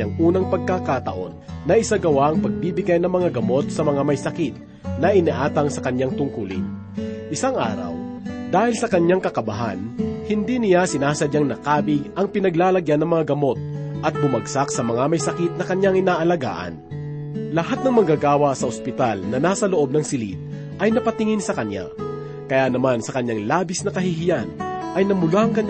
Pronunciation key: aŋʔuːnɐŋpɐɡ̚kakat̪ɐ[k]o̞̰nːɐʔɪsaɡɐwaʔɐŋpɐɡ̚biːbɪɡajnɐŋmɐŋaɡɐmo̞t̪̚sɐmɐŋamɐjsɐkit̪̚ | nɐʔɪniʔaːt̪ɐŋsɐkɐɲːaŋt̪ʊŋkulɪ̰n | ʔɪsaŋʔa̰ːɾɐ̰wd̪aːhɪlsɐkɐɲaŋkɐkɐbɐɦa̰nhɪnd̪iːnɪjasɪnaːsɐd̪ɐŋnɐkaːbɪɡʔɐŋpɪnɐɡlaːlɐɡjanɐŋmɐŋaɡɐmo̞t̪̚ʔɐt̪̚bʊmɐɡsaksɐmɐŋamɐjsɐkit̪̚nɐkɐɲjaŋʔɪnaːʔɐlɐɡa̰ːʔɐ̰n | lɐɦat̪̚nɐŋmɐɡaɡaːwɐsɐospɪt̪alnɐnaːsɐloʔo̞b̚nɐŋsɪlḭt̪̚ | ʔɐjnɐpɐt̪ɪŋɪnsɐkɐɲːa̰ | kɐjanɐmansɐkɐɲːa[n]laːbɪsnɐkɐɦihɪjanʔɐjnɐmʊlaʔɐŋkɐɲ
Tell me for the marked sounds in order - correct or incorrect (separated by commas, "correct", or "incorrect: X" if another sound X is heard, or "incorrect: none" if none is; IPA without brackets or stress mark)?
incorrect: ʔ, incorrect: ŋ